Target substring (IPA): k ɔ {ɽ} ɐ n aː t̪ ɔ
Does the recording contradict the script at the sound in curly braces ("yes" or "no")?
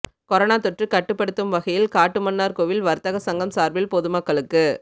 yes